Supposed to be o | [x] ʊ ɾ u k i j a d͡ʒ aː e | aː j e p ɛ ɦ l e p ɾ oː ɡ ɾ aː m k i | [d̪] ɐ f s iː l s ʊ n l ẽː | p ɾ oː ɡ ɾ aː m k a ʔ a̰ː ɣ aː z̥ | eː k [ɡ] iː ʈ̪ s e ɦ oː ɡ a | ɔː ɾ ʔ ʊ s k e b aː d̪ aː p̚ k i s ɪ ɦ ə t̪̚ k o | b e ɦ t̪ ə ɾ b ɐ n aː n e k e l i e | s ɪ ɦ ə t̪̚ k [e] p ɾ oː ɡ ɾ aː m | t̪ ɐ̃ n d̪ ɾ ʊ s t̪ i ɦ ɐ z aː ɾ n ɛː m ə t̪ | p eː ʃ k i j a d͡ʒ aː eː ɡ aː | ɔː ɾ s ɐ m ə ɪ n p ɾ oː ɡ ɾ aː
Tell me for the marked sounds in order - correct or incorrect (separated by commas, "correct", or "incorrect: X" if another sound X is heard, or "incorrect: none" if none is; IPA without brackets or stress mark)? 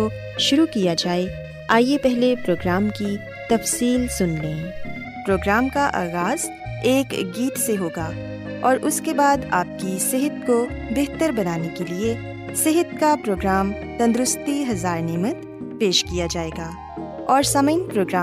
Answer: incorrect: ʃ, incorrect: t̪, correct, incorrect: a